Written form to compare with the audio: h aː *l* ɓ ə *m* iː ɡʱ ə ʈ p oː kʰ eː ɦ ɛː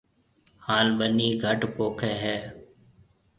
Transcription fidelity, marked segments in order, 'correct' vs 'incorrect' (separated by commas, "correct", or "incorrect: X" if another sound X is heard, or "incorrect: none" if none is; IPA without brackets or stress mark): correct, incorrect: n